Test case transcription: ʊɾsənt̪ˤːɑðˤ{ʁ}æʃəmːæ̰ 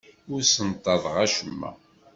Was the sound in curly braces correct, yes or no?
yes